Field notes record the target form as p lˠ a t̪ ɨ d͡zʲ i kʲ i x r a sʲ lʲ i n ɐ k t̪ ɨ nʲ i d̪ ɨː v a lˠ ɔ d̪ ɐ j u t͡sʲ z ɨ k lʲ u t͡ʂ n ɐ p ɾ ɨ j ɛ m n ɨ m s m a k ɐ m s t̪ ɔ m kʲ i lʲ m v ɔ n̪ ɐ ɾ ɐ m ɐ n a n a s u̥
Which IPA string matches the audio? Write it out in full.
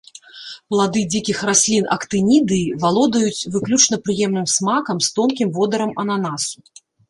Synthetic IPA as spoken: p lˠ a d̪ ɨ d͡zʲ i kʲ i x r a sʲ lʲ i n ɐ k t̪ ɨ nʲ i d̪ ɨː v a lˠ ɔ d̪ ɐ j u t͡sʲ v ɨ k lʲ u t͡ʂ n ɐ p ɾ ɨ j ɛ m n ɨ m s m a k ɐ m s t̪ ɔ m kʲ i m v ɔ d̪ ɐ ɾ ɐ m ɐ n a n a s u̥